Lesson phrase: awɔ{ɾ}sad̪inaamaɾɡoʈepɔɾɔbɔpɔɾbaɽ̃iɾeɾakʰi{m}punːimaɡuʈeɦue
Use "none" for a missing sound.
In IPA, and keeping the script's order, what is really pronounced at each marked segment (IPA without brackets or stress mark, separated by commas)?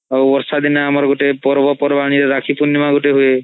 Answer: ɾ, none